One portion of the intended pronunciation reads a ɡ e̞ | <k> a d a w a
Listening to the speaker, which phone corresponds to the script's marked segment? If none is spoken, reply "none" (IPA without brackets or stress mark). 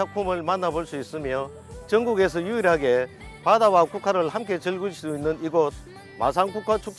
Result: p